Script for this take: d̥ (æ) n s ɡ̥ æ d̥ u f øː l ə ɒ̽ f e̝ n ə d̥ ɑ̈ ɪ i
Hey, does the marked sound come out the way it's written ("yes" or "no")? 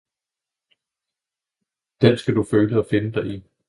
no